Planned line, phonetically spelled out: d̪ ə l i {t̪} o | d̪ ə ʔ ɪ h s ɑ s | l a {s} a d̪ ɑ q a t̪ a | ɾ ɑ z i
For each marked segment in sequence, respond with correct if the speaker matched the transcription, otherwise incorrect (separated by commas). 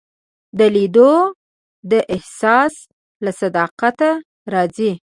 incorrect, correct